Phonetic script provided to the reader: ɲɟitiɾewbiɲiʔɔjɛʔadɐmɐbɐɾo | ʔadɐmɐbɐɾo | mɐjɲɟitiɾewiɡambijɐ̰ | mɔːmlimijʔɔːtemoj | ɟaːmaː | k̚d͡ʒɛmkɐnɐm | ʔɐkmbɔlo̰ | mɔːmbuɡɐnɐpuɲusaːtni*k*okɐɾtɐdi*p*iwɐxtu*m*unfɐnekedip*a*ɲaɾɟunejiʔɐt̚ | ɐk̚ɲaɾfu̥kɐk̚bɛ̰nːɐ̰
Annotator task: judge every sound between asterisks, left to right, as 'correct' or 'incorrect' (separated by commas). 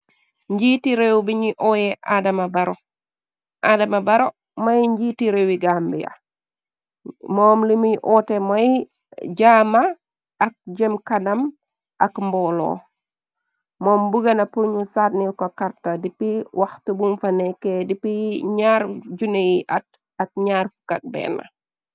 correct, correct, incorrect, incorrect